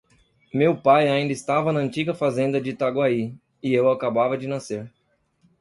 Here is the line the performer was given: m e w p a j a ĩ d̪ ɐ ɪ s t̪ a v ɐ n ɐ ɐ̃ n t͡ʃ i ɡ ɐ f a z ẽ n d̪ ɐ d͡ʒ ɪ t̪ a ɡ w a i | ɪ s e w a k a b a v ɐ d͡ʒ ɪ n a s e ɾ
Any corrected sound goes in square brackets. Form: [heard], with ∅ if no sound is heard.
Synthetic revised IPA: m e w p a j a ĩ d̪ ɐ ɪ s t̪ a v ɐ n ɐ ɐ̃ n t͡ʃ i ɡ ɐ f a z ẽ n d̪ ɐ d͡ʒ ɪ t̪ a ɡ w a i | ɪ [∅] e w a k a b a v ɐ d͡ʒ ɪ n a s e ɾ